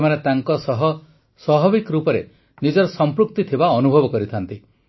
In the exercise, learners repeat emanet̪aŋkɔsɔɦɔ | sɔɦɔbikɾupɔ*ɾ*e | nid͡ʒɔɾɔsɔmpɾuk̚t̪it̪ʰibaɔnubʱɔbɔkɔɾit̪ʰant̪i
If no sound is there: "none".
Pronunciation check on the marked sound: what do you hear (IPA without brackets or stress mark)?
ɾ